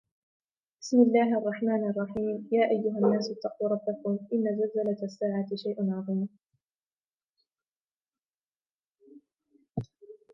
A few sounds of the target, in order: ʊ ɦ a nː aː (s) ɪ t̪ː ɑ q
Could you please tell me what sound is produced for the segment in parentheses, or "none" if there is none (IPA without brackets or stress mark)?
s